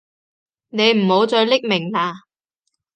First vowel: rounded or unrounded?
unrounded